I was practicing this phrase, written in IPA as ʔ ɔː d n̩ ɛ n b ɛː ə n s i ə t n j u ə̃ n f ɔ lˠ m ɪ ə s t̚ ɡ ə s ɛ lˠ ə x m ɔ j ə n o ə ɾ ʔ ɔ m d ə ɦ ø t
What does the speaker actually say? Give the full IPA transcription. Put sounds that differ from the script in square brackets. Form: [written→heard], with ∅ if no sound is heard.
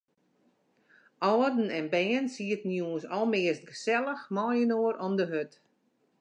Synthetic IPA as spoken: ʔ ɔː d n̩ ɛ n b ɛː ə n s i ə t n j u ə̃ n [f→s] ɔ lˠ m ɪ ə s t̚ ɡ ə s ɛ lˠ ə x m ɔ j ə n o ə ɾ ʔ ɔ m d ə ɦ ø t